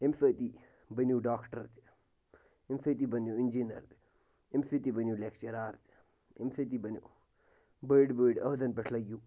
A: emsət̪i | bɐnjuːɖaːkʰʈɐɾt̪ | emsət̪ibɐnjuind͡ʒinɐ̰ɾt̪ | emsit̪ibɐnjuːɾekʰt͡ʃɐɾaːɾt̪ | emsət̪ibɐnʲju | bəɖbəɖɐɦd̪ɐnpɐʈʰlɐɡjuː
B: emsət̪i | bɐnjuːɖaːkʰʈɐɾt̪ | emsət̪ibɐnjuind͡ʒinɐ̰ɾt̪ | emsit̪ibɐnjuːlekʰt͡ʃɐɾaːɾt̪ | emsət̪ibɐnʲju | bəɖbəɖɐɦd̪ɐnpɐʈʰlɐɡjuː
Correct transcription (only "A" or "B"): B